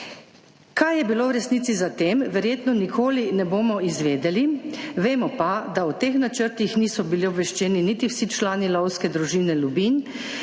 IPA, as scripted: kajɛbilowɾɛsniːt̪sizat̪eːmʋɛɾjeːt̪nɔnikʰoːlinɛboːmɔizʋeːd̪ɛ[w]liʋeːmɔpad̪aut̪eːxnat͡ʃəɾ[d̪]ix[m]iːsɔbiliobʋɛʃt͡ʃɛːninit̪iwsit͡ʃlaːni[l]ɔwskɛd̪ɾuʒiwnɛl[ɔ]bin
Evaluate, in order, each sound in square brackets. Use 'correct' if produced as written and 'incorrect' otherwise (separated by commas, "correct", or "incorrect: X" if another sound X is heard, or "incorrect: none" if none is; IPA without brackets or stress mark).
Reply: incorrect: none, incorrect: t̪, incorrect: n, correct, incorrect: u